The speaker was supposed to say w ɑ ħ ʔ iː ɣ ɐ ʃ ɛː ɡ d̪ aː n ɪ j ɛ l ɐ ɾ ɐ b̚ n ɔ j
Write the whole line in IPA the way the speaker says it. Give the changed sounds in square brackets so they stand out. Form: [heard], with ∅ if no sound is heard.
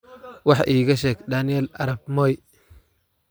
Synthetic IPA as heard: w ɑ ħ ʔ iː ɣ ɐ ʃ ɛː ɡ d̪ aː n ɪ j ɛ l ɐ ɾ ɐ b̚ [m] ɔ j